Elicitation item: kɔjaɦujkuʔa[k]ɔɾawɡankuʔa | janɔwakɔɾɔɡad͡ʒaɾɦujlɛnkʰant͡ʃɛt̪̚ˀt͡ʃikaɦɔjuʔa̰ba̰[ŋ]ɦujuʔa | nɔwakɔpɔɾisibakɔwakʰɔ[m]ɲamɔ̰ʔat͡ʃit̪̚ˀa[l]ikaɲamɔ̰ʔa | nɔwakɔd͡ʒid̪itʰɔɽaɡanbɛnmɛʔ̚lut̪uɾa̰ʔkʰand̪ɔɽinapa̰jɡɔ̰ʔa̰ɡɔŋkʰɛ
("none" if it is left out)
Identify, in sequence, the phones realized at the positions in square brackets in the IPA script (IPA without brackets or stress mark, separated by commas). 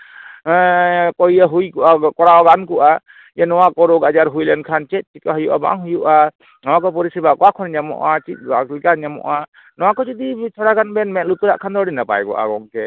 k, ŋ, n, l